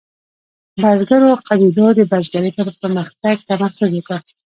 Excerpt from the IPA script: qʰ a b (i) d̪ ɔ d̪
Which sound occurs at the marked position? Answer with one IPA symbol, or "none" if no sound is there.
i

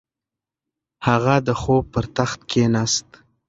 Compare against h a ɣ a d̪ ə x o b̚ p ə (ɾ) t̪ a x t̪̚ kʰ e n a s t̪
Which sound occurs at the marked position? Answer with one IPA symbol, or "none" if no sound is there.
ɾ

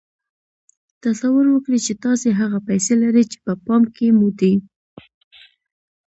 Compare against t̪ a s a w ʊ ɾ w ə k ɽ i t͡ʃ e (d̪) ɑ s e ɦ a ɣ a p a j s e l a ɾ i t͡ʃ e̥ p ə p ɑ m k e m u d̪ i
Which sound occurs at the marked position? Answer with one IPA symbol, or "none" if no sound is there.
t̪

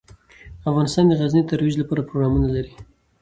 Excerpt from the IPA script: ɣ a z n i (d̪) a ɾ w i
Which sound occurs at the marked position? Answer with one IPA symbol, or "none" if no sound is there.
t̪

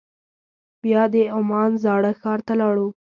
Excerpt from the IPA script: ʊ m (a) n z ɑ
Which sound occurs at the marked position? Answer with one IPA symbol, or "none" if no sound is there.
ɑ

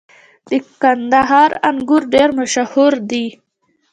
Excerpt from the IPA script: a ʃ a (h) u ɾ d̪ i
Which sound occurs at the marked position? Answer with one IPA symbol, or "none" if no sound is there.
h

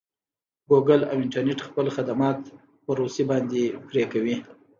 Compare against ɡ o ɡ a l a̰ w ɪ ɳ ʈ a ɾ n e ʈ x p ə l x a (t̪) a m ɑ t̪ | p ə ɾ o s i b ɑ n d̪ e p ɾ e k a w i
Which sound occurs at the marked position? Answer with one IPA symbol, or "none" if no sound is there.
d̪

